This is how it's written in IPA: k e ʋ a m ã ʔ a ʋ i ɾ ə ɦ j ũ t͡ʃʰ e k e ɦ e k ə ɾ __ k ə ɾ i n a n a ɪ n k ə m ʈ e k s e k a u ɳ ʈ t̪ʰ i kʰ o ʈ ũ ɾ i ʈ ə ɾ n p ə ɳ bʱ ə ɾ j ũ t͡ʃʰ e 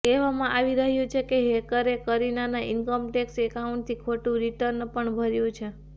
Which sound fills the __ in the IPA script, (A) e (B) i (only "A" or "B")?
A